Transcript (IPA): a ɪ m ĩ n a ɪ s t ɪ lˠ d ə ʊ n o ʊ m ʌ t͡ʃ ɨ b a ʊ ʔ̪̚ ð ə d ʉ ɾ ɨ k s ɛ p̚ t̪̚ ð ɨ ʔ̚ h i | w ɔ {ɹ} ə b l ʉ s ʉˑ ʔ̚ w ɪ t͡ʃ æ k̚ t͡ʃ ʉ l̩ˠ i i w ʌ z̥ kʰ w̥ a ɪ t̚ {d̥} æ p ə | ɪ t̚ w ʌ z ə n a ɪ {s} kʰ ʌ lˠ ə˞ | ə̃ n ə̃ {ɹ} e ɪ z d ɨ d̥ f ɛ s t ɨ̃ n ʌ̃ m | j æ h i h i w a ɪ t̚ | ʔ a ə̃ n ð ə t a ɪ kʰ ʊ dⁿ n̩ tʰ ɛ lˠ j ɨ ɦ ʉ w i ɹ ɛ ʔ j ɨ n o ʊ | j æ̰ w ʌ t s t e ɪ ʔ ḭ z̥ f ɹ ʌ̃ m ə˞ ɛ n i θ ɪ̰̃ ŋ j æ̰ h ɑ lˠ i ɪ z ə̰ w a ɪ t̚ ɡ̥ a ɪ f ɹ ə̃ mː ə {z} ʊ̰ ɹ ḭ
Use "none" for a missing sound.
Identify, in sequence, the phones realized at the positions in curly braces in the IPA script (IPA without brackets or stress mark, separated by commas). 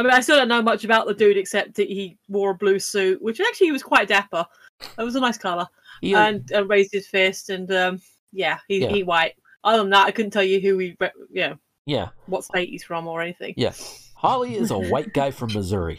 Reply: ɹ, d̥, s, ɹ, z